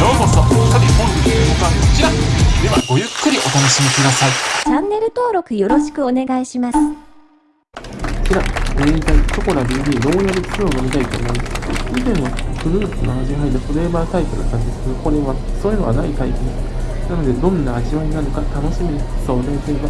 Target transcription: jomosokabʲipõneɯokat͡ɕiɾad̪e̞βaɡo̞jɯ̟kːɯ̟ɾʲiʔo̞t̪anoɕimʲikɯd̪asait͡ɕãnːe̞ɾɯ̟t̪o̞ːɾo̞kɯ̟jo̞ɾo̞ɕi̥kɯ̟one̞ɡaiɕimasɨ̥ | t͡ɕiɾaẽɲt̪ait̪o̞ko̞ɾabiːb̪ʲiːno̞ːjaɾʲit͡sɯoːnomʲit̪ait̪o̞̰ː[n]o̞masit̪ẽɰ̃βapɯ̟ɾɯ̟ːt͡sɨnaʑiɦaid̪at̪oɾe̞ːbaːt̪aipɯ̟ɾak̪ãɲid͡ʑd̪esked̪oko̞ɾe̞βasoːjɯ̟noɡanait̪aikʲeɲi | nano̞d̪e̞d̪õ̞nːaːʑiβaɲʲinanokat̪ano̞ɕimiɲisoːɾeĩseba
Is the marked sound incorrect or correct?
incorrect